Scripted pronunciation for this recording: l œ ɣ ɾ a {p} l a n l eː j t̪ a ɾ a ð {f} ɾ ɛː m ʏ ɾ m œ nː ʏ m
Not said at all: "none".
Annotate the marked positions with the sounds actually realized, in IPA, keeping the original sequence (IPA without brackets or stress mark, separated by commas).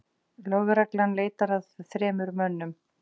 k, θ